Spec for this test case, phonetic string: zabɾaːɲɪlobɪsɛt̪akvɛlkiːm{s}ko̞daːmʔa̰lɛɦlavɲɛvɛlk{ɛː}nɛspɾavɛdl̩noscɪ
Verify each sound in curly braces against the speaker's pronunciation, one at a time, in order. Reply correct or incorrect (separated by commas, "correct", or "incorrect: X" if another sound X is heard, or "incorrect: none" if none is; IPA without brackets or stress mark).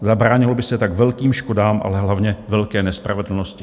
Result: incorrect: ʃ, correct